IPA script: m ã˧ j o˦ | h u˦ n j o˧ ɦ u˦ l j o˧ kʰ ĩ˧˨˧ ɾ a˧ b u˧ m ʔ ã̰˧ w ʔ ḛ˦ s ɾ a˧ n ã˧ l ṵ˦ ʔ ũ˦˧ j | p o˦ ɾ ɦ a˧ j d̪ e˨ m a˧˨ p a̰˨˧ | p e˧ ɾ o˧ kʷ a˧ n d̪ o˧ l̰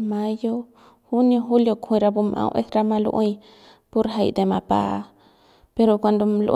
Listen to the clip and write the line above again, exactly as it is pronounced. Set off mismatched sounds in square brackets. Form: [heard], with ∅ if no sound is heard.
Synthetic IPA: m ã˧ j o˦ | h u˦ n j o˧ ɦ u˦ l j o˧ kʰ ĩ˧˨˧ ɾ a˧ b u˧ m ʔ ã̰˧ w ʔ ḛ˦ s ɾ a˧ [m] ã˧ l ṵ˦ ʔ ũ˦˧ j | p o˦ ɾ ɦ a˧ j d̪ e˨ m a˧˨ p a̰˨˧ | p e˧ ɾ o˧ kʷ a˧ n d̪ o˧ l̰